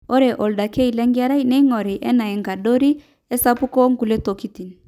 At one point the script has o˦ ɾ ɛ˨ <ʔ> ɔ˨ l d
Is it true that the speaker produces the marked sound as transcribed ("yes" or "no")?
yes